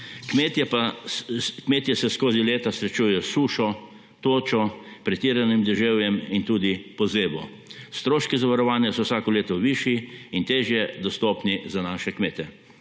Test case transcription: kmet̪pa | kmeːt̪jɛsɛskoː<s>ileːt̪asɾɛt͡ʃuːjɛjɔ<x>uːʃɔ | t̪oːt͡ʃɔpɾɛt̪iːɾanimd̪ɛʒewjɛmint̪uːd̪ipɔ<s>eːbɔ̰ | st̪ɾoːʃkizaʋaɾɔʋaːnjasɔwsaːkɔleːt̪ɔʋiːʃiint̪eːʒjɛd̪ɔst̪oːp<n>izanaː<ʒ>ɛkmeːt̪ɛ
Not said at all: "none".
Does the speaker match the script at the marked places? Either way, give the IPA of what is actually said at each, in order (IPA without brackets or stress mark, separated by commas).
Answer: z, s, z, n, ʃ